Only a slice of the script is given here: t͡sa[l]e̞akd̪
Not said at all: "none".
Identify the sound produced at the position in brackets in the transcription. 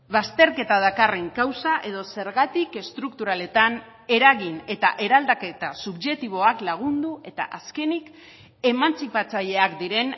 ʎ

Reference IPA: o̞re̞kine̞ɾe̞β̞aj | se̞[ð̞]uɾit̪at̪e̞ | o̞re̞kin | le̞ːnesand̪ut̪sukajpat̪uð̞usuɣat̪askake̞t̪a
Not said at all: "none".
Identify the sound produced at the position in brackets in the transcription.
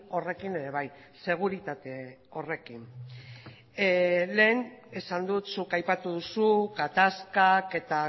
ɣ̞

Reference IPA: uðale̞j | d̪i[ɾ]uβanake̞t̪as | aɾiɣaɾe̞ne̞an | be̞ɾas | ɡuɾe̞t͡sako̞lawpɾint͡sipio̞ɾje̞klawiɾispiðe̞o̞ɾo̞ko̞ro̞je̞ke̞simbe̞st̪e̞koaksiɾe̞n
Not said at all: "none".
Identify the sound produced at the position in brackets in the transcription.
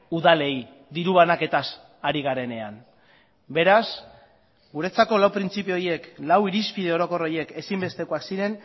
ɾ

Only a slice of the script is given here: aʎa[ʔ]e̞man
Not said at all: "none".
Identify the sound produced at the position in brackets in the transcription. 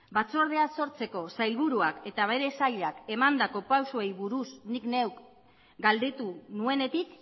k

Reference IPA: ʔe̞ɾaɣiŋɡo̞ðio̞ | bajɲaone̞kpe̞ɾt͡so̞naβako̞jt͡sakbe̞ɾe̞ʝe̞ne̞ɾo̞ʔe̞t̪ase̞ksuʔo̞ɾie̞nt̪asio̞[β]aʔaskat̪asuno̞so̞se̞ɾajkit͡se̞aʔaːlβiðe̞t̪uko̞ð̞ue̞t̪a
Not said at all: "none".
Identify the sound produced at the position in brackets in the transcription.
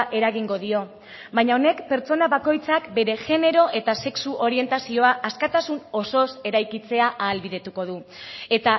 none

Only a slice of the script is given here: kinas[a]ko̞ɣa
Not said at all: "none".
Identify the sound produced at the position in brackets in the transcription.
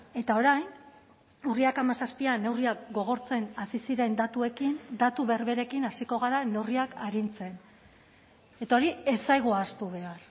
i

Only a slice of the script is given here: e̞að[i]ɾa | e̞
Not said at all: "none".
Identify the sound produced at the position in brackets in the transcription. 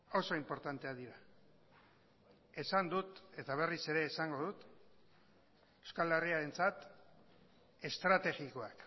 i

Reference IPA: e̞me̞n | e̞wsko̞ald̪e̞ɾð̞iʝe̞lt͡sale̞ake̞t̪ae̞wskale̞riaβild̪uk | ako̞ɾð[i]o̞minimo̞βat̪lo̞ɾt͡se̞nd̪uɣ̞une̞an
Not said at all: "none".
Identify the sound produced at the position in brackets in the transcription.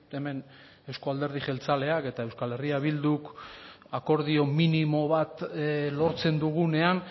i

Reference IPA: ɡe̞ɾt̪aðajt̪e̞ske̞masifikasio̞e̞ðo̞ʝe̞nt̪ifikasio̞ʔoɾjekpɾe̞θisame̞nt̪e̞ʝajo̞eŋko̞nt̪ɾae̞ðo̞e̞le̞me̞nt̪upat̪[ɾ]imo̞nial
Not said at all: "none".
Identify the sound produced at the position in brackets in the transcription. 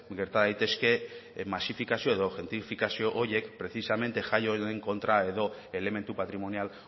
ɾ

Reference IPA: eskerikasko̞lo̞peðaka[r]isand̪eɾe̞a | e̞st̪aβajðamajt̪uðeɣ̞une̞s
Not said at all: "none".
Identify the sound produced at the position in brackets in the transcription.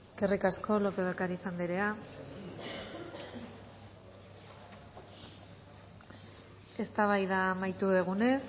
ɾ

